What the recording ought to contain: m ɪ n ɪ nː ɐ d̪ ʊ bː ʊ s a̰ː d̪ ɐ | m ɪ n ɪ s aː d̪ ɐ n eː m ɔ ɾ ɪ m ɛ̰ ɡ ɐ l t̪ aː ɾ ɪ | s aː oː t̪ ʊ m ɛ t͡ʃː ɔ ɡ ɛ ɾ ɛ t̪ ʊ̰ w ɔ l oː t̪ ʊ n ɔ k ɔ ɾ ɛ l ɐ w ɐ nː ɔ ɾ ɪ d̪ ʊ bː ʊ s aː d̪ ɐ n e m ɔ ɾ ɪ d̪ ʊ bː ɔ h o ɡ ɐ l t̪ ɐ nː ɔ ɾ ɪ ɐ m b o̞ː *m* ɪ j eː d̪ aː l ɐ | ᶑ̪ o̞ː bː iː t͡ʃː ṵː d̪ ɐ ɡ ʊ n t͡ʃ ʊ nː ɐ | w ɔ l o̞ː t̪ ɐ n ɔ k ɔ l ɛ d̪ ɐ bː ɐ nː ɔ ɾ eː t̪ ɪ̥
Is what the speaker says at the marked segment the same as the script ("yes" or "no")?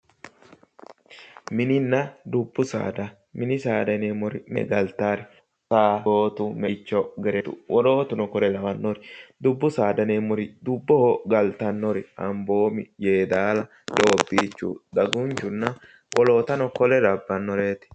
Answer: yes